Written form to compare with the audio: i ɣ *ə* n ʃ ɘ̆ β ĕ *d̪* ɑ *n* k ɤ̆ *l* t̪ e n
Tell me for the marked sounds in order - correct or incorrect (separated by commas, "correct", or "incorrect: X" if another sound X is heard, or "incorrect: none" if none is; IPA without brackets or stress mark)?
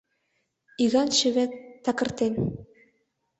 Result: incorrect: ɑ, incorrect: t̪, incorrect: none, incorrect: r